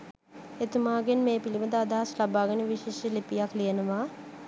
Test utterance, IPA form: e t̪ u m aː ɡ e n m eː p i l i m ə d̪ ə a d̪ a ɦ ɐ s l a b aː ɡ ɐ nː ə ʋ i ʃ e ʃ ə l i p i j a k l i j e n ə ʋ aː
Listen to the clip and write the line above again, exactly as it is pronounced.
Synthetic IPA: e t̪ u m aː ɡ e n m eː p i l i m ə d̪ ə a d̪ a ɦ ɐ s l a b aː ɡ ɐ n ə ʋ i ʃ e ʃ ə l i p i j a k l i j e n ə ʋ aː

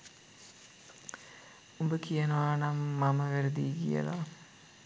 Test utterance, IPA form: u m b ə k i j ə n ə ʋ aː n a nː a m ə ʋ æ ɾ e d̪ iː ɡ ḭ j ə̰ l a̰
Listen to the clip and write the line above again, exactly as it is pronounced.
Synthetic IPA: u m b ə k i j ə n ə ʋ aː n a mː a m ə ʋ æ ɾ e d̪ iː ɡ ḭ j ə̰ l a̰

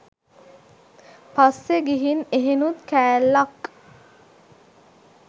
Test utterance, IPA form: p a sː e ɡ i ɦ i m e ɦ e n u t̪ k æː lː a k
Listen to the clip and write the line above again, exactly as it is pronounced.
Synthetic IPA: p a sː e ɡ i ɦ i n e ɦ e n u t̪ k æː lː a k

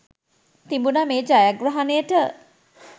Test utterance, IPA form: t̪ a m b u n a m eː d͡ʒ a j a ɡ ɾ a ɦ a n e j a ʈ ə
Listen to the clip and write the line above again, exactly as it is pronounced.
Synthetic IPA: t̪ i m b u n a m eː d͡ʒ a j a ɡ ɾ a ɦ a n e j ə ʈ ə

